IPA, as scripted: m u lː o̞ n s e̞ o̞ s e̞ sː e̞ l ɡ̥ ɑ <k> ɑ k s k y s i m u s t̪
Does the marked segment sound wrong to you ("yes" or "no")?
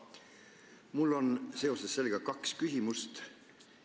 no